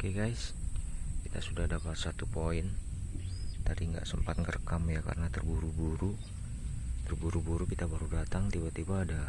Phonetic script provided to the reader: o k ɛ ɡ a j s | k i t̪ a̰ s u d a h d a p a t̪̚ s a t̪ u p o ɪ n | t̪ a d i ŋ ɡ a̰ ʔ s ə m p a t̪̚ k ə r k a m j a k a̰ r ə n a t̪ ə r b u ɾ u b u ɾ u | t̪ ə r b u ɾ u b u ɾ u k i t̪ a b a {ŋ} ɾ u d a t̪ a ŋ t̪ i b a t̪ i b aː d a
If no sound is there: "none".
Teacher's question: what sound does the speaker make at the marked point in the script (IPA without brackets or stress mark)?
none